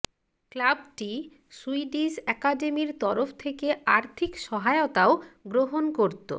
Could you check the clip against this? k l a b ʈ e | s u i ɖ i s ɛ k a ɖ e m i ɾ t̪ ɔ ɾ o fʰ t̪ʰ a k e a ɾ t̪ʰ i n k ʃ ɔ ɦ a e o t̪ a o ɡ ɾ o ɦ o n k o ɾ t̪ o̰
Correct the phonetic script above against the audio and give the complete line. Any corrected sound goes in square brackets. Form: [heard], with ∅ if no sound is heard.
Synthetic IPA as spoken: k l a b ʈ [i] | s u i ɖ i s ɛ k a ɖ e m i ɾ t̪ ɔ ɾ o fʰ t̪ʰ [e] k e a ɾ t̪ʰ i [∅] k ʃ ɔ ɦ a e o t̪ a o ɡ ɾ o ɦ o n k o ɾ t̪ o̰